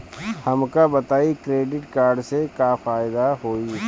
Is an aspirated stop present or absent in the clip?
absent